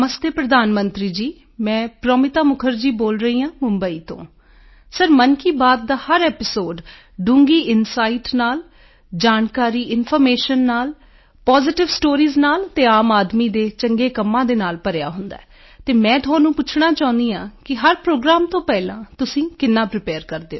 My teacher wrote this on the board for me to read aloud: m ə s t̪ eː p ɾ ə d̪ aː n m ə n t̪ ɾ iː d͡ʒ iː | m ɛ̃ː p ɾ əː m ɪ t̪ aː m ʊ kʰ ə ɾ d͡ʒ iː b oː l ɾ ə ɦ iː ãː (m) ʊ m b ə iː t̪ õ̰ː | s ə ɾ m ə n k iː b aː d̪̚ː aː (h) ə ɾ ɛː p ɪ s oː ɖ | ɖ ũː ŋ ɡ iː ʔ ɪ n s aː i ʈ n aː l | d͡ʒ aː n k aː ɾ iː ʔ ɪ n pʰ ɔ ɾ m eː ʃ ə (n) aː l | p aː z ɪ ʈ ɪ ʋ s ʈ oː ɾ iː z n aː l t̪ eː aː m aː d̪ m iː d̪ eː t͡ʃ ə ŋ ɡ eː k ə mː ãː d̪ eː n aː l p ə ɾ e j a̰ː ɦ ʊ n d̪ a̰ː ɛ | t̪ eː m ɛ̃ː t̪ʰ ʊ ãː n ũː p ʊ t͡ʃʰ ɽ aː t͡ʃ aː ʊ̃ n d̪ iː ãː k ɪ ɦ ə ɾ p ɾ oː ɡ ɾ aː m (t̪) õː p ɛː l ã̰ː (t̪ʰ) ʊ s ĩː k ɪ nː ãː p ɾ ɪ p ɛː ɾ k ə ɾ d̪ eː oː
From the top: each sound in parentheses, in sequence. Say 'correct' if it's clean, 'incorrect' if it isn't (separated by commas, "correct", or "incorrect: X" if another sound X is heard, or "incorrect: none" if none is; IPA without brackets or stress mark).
correct, correct, incorrect: nː, correct, incorrect: t̪